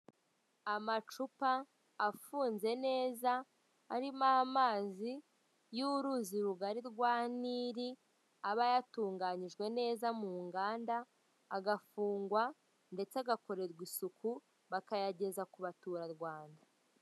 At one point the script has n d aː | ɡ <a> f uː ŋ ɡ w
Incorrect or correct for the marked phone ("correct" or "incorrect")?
correct